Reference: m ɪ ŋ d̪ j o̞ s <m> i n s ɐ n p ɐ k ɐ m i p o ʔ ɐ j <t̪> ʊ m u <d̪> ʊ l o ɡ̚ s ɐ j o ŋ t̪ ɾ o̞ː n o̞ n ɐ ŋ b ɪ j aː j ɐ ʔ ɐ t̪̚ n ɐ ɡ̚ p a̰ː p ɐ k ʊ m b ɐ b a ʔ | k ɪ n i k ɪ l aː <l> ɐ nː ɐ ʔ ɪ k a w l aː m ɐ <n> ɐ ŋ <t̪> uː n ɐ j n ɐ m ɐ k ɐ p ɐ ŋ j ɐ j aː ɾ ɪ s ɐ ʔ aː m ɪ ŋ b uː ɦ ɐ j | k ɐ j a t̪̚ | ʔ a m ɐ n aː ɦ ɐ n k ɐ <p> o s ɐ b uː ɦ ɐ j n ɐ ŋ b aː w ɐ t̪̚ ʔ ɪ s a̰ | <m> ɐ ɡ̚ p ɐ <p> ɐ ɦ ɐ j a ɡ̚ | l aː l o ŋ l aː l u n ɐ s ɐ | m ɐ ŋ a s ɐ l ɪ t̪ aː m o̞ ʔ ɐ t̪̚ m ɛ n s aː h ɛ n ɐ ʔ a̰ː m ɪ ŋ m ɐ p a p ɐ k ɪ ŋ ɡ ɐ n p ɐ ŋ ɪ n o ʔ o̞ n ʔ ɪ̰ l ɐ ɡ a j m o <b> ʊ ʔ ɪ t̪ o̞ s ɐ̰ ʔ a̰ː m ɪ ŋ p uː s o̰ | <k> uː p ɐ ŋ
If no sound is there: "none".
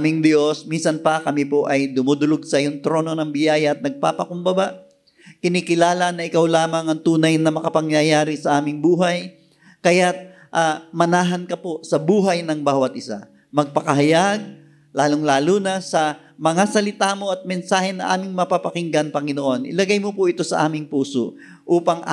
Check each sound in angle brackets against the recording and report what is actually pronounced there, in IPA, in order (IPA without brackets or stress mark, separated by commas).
m, d̪, d̪, l, ŋ, t̪, p, m, k, p, ʔ